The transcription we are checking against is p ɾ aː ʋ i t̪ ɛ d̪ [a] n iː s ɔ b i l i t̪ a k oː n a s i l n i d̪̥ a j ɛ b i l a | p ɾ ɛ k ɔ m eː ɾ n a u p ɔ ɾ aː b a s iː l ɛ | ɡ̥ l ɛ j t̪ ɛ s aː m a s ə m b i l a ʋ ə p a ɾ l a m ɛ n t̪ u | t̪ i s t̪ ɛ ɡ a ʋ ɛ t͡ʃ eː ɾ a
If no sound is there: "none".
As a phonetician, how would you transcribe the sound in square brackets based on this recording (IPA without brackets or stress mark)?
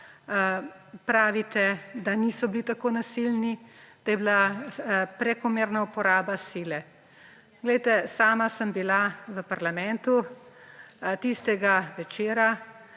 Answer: a